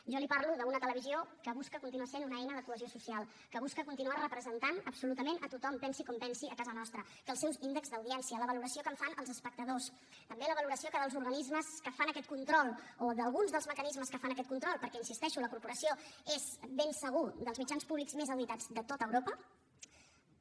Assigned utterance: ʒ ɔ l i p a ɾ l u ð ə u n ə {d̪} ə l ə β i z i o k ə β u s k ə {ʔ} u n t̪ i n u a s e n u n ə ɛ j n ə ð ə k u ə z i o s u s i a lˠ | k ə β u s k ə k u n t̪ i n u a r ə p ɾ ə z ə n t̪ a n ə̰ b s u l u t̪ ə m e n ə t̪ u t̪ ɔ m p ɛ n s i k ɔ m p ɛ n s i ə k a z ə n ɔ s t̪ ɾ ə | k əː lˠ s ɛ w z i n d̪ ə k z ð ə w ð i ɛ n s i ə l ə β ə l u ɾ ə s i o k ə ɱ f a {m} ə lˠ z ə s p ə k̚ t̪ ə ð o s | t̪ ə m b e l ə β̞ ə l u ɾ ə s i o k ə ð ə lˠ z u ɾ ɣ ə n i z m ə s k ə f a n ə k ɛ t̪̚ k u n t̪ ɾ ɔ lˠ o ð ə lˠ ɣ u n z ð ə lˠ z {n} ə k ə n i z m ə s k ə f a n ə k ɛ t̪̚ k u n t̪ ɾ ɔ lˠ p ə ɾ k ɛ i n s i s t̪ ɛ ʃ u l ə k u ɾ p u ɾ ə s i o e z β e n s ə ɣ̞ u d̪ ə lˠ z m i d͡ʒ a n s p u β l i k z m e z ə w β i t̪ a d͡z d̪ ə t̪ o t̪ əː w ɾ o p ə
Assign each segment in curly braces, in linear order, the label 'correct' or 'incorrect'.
incorrect: t̪, incorrect: k, incorrect: n, incorrect: m

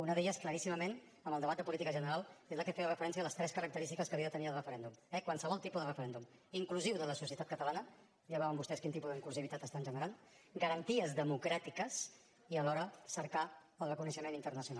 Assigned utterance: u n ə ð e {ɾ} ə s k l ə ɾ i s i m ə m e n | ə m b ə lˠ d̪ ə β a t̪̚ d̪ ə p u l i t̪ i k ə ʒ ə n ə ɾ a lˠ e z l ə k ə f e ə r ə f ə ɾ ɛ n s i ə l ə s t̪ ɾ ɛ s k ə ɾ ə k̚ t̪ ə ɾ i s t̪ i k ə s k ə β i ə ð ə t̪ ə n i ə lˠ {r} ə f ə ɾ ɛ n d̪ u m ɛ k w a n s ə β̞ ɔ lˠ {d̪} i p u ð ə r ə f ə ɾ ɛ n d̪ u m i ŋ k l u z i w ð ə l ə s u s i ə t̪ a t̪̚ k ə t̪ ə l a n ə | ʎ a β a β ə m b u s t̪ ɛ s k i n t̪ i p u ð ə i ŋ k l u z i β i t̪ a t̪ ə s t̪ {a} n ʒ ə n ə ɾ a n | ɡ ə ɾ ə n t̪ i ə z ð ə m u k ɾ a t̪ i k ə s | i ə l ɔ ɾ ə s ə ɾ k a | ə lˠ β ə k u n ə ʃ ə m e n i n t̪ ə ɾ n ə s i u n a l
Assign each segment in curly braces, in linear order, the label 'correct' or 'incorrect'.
incorrect: ʎ, correct, incorrect: t̪, correct

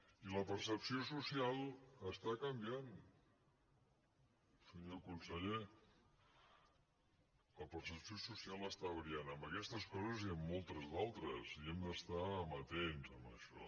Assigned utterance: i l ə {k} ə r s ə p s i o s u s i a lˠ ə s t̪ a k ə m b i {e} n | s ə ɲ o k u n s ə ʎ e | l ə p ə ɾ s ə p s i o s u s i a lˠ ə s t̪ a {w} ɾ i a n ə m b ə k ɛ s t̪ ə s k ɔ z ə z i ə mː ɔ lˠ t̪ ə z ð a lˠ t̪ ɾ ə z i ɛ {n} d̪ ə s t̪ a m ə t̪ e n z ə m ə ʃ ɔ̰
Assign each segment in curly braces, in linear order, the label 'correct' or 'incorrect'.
incorrect: p, incorrect: a, incorrect: β, incorrect: m

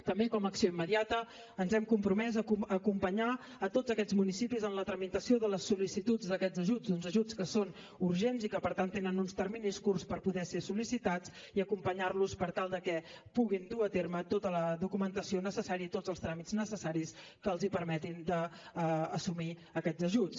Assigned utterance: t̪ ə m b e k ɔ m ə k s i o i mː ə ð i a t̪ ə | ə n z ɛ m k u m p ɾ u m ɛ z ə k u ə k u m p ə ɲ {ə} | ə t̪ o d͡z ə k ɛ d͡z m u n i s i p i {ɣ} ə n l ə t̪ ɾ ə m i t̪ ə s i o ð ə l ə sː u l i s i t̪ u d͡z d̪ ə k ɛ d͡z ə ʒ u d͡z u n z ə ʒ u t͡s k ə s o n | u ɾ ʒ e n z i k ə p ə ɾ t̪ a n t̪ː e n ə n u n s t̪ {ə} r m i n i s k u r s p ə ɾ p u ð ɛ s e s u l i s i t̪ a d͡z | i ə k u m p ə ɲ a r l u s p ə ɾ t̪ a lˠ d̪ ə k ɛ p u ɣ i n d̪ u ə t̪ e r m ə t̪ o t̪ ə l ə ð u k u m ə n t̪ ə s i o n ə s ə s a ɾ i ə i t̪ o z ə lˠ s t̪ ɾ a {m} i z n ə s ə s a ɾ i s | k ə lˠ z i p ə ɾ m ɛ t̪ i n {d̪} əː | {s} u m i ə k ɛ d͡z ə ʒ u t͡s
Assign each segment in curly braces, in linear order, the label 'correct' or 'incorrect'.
incorrect: a, incorrect: z, correct, correct, correct, correct

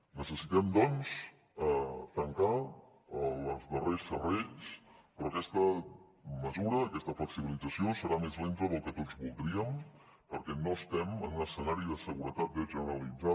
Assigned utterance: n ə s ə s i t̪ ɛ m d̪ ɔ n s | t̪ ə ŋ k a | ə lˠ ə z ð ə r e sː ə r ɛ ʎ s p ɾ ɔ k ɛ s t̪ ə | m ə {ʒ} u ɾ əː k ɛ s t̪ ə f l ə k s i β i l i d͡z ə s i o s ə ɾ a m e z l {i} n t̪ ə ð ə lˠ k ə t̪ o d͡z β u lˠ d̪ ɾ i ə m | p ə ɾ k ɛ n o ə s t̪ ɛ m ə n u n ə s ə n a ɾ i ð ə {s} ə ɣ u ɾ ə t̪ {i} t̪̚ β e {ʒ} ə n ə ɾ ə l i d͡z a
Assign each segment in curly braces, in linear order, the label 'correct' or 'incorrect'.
incorrect: z, incorrect: e, correct, incorrect: a, correct

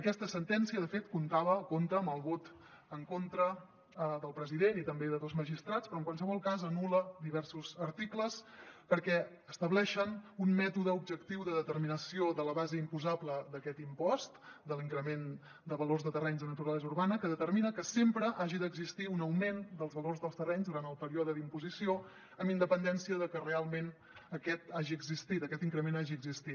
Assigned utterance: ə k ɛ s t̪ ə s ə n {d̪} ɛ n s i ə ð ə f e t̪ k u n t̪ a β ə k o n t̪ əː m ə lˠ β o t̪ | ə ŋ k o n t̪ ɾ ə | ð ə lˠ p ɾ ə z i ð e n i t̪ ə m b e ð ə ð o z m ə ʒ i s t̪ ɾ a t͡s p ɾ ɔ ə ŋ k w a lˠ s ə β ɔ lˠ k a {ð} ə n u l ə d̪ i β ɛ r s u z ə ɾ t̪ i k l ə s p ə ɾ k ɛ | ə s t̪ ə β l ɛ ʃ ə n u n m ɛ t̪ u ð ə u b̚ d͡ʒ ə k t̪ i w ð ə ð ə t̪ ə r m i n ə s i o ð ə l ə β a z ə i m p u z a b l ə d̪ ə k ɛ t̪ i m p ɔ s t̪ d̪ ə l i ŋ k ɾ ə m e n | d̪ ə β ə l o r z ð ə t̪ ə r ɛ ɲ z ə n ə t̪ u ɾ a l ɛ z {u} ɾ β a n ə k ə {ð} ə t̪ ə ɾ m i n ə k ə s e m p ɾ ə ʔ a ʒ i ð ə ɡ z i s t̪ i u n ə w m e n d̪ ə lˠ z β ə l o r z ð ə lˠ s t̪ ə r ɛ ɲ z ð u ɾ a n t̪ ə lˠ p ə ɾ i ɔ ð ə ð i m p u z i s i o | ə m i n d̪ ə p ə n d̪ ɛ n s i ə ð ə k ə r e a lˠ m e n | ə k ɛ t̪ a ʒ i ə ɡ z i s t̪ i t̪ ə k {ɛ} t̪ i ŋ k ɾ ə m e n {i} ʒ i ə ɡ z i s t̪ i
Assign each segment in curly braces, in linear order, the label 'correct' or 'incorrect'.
incorrect: t̪, incorrect: z, correct, correct, correct, incorrect: a

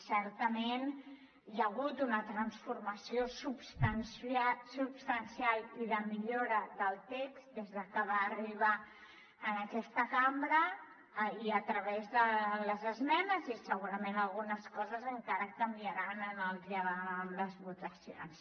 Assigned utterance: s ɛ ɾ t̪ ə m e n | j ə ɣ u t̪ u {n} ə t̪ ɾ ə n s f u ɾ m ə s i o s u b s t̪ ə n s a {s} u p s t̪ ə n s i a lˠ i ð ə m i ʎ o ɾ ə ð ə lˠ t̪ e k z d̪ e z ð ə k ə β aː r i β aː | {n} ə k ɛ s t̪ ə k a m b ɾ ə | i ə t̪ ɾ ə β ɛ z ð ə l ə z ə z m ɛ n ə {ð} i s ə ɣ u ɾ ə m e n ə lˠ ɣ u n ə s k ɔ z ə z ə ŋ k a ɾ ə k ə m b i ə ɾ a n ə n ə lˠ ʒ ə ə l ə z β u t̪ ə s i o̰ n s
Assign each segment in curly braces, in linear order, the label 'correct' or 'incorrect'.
correct, correct, correct, incorrect: z

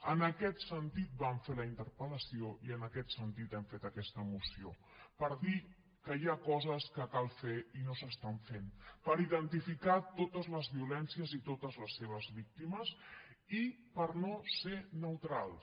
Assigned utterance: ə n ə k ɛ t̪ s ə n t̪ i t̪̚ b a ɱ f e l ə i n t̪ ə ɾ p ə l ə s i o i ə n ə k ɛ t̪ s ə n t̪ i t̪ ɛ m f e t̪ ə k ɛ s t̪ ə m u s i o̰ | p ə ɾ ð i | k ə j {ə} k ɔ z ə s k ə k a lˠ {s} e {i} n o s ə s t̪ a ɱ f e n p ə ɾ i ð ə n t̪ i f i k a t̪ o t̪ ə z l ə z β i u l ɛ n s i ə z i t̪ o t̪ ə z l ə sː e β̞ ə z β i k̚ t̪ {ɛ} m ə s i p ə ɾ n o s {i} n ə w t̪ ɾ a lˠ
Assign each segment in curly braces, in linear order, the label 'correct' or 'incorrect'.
incorrect: a, incorrect: f, correct, incorrect: i, incorrect: e

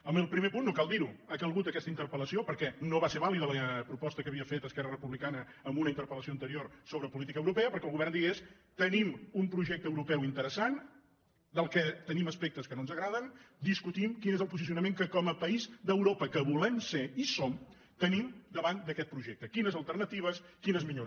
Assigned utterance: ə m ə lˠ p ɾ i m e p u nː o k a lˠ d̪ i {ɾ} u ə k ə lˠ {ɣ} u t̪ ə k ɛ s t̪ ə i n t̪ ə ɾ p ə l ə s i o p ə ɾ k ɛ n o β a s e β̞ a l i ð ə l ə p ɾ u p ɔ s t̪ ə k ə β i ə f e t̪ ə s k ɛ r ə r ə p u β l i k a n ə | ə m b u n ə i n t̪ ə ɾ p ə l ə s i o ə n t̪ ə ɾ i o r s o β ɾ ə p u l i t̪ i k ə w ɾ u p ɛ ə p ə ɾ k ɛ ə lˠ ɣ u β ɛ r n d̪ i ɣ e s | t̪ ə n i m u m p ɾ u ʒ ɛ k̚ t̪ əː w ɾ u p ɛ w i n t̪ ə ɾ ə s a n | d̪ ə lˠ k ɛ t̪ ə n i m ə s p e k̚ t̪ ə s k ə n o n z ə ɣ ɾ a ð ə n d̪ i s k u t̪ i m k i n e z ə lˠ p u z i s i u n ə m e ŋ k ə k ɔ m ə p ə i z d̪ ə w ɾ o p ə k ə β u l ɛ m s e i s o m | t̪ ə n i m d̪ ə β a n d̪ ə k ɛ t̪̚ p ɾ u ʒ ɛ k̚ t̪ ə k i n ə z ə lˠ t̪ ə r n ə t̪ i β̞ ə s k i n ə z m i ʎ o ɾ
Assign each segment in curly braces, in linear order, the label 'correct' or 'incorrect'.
correct, correct

